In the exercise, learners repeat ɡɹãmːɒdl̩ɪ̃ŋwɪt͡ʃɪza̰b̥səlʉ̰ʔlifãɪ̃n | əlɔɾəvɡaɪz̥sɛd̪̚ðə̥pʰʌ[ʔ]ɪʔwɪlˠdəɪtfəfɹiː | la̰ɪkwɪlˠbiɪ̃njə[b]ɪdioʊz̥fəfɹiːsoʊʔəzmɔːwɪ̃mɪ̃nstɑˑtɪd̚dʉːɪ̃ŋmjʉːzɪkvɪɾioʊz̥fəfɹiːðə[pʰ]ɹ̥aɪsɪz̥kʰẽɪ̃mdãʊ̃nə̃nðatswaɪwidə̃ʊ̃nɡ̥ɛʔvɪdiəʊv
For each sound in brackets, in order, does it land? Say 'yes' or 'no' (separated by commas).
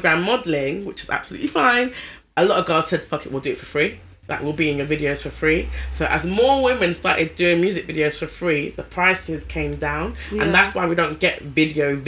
no, no, yes